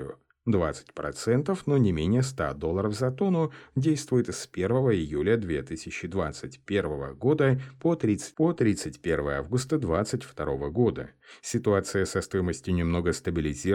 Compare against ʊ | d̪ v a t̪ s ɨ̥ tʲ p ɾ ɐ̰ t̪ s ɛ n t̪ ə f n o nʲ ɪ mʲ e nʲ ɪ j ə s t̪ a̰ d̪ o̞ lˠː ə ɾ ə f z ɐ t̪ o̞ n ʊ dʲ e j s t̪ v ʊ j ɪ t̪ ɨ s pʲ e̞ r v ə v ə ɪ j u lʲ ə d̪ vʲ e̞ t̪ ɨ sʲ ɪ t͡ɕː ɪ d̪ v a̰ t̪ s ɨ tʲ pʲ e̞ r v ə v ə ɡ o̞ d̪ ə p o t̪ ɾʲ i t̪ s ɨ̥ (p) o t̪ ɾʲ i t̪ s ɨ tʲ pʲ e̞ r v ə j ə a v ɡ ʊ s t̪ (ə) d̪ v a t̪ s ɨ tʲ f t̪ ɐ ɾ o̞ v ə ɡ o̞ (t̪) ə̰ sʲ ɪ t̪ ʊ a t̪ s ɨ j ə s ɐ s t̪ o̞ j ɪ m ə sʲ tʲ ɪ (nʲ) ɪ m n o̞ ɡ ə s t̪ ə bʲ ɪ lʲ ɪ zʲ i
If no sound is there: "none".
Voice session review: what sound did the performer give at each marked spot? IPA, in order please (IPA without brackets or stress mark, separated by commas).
p, ə, d̪, nʲ